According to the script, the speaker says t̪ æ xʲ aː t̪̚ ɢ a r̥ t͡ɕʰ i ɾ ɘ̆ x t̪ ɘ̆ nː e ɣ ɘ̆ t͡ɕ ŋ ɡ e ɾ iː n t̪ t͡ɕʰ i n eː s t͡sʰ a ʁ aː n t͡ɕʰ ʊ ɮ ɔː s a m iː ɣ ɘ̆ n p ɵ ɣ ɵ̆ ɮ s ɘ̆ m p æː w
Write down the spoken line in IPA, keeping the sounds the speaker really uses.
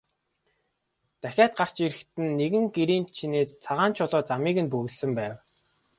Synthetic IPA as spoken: t̪ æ xʲ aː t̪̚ ɢ a r̥ t͡ɕ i ɾ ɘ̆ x t̪ ɘ̆ nː e ɣ ɘ̆ ŋ ɡ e ɾ iː n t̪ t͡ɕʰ i n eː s t͡sʰ a ʁ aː n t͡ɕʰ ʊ ɮ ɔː t͡s a m iː ɣ ɘ̆ n p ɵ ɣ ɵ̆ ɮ s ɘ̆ m p æː w